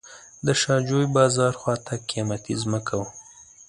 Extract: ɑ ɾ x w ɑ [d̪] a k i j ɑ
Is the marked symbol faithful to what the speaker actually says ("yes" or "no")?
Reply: no